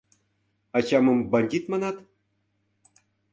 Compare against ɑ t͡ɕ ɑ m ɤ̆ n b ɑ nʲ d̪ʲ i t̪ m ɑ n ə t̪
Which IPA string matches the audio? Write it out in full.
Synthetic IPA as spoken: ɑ t͡ɕ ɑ m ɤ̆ m b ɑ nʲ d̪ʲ i t̪ m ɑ n ɑ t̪